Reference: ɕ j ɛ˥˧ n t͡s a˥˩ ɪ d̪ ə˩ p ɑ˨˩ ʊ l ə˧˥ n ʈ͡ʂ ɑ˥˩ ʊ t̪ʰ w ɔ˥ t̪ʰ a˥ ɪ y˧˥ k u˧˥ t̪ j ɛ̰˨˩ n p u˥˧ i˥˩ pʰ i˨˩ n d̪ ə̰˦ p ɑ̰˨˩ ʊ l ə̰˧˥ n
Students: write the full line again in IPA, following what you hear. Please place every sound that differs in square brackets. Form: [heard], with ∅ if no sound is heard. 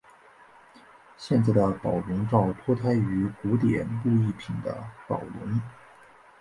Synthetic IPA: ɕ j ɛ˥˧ n t͡s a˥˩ ɪ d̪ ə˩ p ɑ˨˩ ʊ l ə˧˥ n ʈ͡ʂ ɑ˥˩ ʊ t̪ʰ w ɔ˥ t̪ʰ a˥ ɪ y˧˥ k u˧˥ t̪ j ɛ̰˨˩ n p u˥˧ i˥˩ pʰ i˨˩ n d̪ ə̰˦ p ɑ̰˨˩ ʊ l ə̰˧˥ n